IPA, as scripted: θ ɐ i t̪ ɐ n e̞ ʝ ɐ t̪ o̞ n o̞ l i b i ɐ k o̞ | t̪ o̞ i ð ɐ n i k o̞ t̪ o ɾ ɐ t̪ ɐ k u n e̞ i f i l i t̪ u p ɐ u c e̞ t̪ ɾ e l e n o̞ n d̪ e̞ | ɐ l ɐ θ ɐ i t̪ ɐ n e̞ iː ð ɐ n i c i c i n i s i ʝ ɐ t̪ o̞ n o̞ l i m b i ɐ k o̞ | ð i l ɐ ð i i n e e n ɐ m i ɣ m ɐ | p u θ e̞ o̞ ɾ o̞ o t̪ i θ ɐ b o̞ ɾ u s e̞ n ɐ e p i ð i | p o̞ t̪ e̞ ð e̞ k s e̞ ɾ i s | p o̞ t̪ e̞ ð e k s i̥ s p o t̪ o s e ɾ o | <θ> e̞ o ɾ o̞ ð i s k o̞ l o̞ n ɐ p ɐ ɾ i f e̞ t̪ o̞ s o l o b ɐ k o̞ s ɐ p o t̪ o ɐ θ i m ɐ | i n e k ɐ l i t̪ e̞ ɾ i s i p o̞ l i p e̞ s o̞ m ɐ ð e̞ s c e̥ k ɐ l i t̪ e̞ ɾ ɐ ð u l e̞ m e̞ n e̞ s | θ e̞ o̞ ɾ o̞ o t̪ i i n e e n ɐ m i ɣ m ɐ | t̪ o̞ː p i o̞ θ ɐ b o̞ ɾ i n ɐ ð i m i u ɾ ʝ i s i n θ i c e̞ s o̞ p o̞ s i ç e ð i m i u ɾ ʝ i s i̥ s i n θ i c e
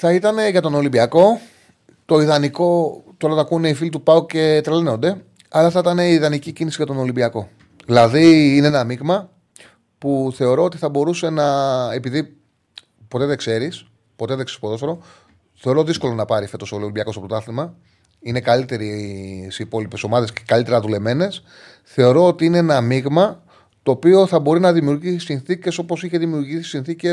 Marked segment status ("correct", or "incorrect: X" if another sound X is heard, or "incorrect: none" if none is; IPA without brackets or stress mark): correct